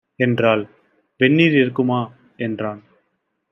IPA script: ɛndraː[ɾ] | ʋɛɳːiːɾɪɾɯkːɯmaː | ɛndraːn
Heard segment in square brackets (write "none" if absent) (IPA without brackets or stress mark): l